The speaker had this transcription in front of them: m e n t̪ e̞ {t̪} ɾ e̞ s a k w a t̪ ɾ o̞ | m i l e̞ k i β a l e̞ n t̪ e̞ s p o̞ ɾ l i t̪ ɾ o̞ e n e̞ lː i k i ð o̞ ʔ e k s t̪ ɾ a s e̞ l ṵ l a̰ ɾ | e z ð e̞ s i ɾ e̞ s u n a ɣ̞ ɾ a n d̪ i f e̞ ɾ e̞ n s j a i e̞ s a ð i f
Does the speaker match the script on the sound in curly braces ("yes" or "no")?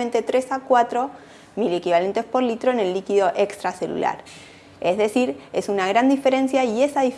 yes